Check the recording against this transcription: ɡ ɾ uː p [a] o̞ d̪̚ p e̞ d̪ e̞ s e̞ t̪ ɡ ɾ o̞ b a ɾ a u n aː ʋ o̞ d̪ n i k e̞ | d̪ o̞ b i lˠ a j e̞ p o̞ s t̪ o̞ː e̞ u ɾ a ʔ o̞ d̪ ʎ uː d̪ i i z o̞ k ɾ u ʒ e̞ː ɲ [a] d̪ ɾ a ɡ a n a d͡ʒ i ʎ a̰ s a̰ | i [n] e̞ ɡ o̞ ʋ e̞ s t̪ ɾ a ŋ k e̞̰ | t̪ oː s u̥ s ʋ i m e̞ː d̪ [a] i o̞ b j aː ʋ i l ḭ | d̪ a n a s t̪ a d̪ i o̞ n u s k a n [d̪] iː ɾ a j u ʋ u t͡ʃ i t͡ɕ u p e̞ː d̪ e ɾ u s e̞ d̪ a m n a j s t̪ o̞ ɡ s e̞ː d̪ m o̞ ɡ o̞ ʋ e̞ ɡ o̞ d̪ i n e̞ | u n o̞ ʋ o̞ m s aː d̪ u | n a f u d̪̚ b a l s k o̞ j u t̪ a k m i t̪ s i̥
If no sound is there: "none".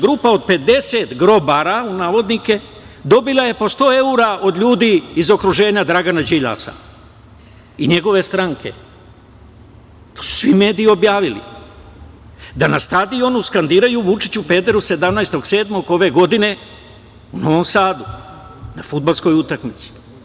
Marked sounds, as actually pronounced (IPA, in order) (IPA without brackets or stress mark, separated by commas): a, a, ɲ, i, d̪